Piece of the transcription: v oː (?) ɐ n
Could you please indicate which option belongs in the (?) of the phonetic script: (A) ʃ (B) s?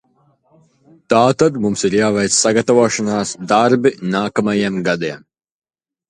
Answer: A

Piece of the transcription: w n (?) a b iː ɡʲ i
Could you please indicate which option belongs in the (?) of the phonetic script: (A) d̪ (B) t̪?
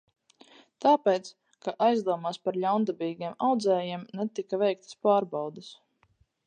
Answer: A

